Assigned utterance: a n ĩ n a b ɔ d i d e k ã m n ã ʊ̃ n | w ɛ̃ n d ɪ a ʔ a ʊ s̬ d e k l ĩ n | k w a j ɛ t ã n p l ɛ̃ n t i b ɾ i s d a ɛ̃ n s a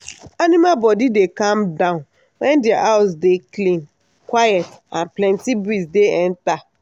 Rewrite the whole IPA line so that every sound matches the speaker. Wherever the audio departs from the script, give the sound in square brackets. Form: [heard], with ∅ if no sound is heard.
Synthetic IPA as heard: a n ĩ [m] a b ɔ d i d e k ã m [d] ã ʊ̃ n | w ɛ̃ n d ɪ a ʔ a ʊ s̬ d e k l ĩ n | k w a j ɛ t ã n p l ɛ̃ n t i b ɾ i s d [e] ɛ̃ n [t] a